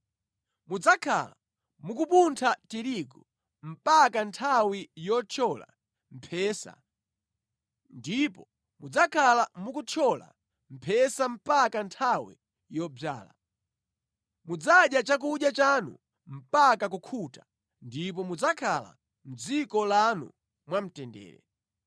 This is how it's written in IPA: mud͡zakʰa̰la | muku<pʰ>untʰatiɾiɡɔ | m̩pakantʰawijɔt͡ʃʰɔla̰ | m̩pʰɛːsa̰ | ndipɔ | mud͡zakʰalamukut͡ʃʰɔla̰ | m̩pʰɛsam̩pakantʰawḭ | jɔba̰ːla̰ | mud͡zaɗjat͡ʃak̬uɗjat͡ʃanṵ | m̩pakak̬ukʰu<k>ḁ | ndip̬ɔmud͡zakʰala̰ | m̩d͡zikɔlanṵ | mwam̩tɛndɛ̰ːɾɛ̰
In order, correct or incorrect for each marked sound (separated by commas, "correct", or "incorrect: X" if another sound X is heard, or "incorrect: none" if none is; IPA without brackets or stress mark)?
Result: incorrect: p, incorrect: t